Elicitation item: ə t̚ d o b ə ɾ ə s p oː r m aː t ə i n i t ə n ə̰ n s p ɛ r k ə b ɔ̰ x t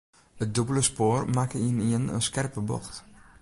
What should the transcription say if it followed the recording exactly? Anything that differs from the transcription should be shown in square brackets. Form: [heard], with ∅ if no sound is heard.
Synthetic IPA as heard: ə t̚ d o b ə [l] ə s p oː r m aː [k] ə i n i [∅] ə n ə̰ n s [k] ɛ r [p] ə b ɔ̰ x t